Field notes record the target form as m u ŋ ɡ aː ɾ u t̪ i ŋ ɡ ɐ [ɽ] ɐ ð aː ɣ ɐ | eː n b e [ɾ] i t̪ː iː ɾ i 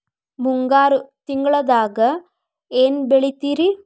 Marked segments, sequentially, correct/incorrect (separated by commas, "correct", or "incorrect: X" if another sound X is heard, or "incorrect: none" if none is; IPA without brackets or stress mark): incorrect: ɭ, incorrect: ɭ